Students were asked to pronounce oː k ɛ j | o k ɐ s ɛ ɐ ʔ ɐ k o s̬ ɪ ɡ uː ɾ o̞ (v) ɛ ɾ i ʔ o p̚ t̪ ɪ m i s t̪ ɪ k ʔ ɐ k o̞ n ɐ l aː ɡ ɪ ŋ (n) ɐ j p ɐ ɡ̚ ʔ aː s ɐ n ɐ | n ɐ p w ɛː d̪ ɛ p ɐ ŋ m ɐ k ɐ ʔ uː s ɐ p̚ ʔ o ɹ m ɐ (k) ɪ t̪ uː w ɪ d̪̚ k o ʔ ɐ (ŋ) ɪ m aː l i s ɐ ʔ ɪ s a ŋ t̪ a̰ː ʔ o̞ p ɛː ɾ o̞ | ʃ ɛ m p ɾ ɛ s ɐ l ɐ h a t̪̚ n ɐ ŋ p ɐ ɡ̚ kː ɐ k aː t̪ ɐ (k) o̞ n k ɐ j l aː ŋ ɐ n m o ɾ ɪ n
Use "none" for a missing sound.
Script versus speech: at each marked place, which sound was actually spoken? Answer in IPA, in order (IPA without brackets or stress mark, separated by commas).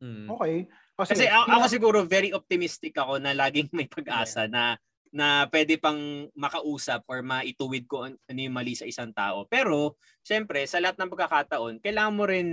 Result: v, m, ʔ, n, ʔ